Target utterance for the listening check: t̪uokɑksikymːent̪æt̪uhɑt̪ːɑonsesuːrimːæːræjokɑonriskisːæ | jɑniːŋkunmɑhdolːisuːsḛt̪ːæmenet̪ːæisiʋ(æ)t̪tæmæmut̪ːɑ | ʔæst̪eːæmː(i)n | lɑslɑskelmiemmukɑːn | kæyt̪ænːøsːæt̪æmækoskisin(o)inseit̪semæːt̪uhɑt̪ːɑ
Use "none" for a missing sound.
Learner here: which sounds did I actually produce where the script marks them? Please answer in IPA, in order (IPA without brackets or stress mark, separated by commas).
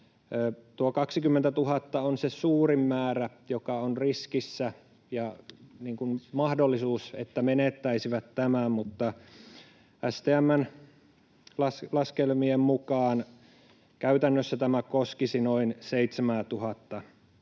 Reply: æ, æ, o